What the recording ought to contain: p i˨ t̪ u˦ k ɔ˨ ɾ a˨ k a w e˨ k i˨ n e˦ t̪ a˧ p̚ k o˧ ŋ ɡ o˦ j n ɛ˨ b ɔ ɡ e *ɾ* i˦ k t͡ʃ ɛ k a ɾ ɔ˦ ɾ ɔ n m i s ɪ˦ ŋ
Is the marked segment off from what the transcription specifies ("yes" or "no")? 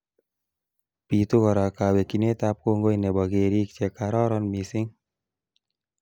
no